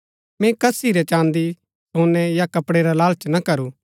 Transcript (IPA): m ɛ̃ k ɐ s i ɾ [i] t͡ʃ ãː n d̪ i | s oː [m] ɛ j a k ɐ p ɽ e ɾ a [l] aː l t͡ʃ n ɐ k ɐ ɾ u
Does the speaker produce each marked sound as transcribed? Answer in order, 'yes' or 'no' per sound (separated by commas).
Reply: no, no, yes